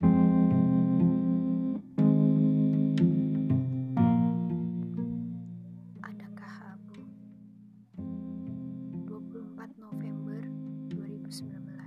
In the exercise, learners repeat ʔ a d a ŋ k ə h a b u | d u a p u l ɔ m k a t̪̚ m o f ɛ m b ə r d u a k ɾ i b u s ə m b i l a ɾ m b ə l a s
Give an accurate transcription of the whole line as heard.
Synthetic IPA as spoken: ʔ a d a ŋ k a h a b u | d u a p u l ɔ m p a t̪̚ n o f ɛ m b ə r d u a ɾ i b u s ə m b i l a m b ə l a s